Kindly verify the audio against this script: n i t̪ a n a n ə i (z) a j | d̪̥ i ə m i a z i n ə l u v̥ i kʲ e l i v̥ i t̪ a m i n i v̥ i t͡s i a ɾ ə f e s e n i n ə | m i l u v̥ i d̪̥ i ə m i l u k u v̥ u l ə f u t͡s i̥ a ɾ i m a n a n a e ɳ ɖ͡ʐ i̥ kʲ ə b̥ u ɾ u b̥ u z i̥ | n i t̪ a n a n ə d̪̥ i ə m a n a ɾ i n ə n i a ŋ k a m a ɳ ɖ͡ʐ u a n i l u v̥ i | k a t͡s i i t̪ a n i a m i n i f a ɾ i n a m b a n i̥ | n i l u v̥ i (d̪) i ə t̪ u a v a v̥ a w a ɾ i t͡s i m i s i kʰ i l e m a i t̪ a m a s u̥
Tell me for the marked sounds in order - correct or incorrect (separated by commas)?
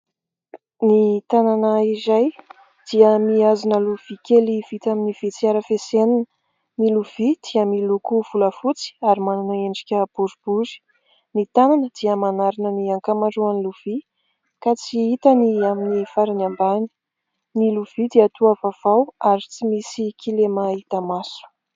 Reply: correct, correct